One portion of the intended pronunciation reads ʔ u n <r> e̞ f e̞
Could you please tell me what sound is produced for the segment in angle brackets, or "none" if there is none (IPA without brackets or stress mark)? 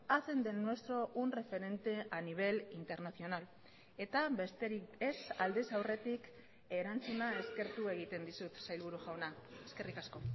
r